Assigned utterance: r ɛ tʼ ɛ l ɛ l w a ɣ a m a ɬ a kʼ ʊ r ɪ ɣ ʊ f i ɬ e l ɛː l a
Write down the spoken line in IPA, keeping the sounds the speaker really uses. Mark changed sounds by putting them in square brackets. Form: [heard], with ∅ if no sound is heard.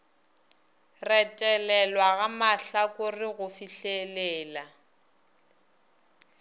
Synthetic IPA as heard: r ɛ tʼ ɛ l ɛ l w a ɣ a m a ɬ a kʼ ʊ r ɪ ɣ ʊ f i ɬ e l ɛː l a